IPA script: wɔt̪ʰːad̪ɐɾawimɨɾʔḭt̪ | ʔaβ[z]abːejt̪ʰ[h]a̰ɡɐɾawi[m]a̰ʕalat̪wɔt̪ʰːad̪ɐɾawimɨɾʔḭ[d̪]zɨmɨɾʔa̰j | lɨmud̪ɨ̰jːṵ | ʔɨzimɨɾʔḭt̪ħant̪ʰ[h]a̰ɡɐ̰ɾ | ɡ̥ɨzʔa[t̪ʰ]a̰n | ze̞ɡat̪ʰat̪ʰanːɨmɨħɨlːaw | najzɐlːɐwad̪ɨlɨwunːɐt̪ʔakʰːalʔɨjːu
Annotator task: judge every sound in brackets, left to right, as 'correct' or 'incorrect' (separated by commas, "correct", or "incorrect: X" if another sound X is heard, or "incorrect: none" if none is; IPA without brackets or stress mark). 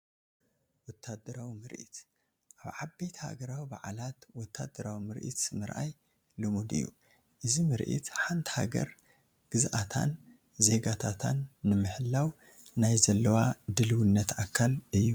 incorrect: ʕ, correct, incorrect: b, incorrect: t̪, correct, correct